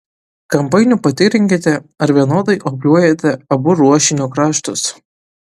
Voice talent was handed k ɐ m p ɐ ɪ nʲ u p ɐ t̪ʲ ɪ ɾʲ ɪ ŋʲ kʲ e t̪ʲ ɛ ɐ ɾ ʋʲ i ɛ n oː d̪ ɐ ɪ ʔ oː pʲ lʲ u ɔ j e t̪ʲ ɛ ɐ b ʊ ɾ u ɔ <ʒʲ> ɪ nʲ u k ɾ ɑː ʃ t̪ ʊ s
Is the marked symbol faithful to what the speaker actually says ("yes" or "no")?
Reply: no